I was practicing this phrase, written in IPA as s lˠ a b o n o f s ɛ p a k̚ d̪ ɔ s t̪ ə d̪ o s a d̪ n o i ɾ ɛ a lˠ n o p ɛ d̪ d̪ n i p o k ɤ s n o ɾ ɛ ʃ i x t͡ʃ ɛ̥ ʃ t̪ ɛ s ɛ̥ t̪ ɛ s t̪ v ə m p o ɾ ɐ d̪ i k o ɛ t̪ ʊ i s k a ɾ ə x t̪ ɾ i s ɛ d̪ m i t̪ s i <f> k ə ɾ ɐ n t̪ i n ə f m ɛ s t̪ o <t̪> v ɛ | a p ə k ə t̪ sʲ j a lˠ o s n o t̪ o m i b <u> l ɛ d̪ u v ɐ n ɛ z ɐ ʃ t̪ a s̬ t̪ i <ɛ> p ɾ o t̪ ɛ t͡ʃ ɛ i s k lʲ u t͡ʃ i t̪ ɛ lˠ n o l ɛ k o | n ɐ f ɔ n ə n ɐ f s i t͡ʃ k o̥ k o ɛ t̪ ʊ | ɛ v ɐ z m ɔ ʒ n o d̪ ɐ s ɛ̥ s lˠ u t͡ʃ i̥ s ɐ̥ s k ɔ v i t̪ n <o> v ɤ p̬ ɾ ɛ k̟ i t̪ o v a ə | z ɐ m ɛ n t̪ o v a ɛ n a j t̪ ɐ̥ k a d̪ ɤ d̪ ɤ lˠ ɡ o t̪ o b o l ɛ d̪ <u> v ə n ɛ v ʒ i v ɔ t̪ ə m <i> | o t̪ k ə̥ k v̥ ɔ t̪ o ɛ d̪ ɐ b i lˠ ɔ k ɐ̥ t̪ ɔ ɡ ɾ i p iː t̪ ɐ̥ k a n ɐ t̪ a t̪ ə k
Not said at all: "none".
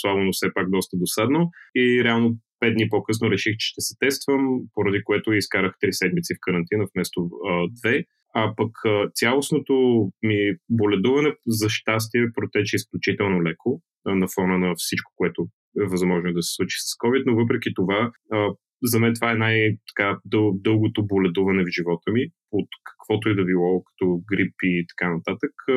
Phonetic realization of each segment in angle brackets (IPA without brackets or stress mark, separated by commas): f, d̪, o, ɛ, o, u, i